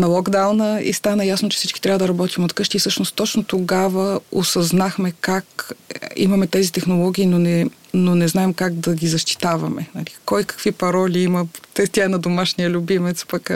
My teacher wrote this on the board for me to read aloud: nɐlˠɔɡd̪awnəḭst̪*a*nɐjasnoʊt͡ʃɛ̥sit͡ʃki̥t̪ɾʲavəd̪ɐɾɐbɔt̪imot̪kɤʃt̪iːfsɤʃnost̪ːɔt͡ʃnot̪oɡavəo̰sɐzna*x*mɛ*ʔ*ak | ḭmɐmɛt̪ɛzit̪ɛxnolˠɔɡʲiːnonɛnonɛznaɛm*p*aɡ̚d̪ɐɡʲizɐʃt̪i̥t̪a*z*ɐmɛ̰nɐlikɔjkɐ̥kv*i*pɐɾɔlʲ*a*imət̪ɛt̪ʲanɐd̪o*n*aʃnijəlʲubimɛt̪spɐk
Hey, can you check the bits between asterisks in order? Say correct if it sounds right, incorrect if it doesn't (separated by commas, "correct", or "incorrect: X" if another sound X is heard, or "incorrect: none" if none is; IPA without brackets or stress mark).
correct, correct, incorrect: k, incorrect: k, incorrect: v, correct, incorrect: i, incorrect: m